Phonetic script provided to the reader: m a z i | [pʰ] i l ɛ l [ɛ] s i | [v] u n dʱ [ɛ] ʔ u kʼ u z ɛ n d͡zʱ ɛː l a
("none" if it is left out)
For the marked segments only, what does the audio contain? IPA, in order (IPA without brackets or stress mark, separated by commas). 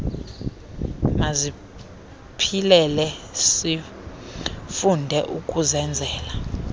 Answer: pʰ, ɛ, f, ɛ